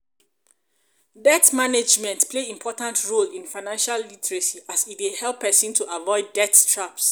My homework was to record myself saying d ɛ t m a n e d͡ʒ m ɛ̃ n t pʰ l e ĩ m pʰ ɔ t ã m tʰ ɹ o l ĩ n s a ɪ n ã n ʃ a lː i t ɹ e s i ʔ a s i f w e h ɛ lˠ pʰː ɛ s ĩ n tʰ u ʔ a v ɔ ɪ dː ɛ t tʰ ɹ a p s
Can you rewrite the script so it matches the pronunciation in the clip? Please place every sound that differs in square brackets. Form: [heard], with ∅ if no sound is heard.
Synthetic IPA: d ɛ t m a n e d͡ʒ m ɛ̃ n t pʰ l e ĩ m pʰ ɔ t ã [n] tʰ ɹ o l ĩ n [f] a ɪ n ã n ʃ a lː i t ɹ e s i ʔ a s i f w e h ɛ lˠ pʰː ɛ s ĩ n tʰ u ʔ a v ɔ ɪ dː ɛ t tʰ ɹ a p s